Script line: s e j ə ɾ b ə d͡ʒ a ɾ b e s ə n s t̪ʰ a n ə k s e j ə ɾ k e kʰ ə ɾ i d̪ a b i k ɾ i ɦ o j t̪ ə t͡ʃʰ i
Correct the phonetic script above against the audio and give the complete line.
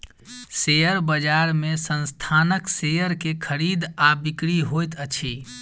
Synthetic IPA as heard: s e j ə ɾ b ə d͡ʒ a ɾ m e s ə n s t̪ʰ a n ə k s e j ə ɾ k e kʰ ə ɾ i d̪ a b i k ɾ i ɦ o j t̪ ə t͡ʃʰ i